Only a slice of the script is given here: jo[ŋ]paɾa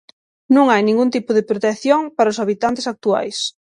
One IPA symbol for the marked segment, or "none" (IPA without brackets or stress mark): ŋ